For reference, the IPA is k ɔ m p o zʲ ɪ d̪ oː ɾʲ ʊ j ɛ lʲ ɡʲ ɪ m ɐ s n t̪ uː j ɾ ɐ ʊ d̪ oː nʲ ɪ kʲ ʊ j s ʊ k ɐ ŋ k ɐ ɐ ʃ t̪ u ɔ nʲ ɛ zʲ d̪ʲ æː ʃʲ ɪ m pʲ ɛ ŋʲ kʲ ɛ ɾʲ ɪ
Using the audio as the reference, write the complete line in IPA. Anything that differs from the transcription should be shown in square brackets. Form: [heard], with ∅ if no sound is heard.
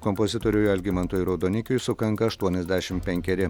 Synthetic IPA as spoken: k ɔ m p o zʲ ɪ [t̪] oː ɾʲ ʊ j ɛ lʲ ɡʲ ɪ m ɐ [∅] n t̪ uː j ɾ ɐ ʊ d̪ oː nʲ ɪ kʲ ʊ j s ʊ k ɐ ŋ k ɐ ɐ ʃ t̪ u ɔ nʲ ɛ zʲ d̪ʲ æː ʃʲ ɪ m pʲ ɛ ŋʲ kʲ ɛ ɾʲ ɪ